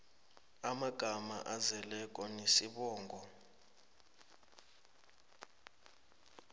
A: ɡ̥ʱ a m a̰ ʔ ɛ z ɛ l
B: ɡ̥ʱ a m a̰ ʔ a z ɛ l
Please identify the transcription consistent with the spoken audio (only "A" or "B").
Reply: B